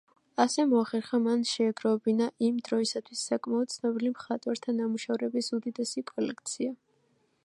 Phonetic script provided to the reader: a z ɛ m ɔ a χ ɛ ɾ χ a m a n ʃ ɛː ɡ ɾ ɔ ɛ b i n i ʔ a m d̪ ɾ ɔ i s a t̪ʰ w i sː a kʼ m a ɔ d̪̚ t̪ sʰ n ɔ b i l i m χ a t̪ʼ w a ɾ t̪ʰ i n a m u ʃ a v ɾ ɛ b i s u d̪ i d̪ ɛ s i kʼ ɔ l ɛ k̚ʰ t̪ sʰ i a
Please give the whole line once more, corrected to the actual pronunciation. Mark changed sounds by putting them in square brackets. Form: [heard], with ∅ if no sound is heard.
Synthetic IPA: a [s] ɛ m ɔ a χ ɛ ɾ χ a m a n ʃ ɛː ɡ ɾ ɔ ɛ b i n [a] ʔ [i] m d̪ ɾ ɔ i s a t̪ʰ w i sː a kʼ m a ɔ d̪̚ t̪ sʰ n ɔ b i l i m χ a t̪ʼ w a ɾ t̪ʰ [a] n a m u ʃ a v ɾ ɛ b i s u d̪ i d̪ ɛ s i kʼ ɔ l ɛ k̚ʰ t̪ sʰ i a